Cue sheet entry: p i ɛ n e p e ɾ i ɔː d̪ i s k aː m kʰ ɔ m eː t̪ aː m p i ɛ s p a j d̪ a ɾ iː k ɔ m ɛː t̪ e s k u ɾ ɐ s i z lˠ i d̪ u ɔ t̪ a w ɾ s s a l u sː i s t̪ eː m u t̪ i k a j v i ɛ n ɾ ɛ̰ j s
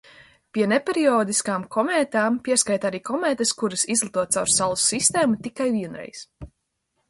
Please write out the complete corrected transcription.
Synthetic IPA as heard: p i ɛ n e p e ɾ i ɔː d̪ i s k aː m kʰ ɔ m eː t̪ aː m p i ɛ s k a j t̪ a ɾ iː k ɔ m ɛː t̪ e s k u ɾ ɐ s i z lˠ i t̪ u ɔ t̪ a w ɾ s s a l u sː i s t̪ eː m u t̪ i k a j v i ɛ n ɾ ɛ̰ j s